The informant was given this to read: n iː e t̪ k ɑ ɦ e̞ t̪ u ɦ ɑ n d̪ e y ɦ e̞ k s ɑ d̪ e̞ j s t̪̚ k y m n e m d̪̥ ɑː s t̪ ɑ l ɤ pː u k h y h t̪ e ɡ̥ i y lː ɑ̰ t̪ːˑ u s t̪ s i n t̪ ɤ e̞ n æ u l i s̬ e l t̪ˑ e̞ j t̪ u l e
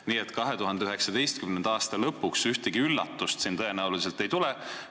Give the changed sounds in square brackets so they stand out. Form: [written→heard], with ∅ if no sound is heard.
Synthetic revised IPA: n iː e t̪ k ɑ ɦ e̞ t̪ u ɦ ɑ n d̪ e y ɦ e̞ k s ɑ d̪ e̞ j s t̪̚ k y m n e [m→n] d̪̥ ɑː s t̪ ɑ l ɤ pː u k [h→s] y h t̪ e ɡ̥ i y lː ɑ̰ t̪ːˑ u s t̪ s i n t̪ ɤ e̞ n æ u l i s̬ e l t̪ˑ e̞ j t̪ u l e